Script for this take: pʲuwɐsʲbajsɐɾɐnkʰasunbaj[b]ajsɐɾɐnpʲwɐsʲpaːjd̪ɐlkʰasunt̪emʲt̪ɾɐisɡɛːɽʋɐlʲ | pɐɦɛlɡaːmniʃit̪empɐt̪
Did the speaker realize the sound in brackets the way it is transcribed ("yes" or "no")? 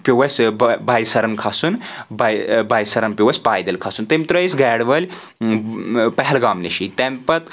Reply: yes